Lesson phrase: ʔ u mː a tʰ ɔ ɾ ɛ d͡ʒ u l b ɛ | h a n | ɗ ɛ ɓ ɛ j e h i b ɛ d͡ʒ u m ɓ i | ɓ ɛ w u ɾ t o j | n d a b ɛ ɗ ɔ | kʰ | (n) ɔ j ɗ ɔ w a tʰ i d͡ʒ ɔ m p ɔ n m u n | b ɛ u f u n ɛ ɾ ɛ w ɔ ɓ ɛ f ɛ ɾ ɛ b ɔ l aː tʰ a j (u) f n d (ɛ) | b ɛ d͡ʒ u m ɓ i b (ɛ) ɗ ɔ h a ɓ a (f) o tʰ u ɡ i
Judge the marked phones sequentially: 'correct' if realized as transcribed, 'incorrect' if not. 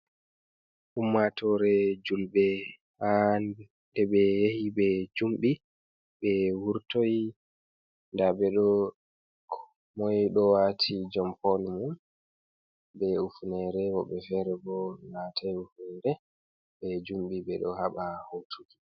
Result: incorrect, correct, correct, correct, incorrect

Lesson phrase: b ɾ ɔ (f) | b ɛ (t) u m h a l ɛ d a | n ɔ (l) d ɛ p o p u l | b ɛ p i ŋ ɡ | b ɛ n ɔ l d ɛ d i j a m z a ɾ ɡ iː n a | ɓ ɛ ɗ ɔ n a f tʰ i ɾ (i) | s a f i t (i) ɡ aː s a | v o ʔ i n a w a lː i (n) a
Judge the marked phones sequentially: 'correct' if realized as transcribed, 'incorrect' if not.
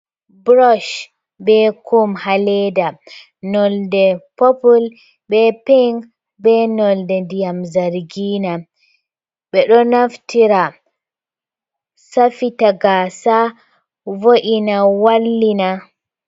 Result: incorrect, incorrect, correct, incorrect, incorrect, correct

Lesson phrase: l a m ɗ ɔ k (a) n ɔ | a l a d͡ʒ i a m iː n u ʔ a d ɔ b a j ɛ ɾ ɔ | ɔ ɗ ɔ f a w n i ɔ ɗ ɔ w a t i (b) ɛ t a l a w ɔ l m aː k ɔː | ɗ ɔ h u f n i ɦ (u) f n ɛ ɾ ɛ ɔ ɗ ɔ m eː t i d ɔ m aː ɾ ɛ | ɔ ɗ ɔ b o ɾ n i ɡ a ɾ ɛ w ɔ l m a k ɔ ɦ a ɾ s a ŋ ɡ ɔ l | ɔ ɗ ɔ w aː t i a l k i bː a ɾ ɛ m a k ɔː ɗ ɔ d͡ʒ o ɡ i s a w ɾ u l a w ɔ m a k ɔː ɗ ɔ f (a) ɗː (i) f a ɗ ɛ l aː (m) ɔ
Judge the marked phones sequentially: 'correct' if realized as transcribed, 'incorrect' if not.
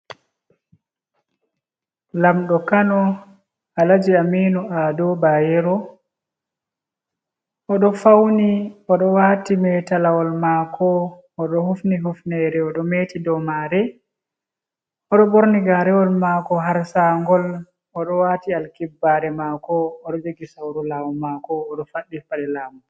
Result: correct, incorrect, correct, correct, correct, correct

